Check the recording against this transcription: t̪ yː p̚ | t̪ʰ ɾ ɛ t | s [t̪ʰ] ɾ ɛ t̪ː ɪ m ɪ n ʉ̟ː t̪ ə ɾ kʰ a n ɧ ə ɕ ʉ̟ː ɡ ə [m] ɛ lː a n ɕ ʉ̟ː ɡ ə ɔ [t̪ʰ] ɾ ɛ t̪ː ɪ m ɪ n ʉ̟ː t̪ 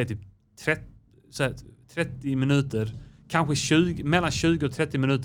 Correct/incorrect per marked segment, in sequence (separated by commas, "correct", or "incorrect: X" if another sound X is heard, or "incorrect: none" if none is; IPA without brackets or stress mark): correct, correct, correct